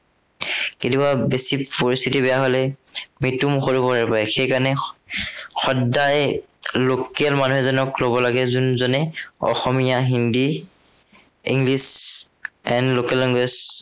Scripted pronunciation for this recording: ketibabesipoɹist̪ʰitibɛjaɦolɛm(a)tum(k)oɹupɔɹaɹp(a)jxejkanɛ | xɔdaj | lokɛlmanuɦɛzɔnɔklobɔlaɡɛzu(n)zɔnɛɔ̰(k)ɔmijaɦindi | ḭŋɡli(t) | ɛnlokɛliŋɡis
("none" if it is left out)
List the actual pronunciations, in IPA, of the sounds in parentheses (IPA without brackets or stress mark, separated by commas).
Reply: i, x, a, n, x, s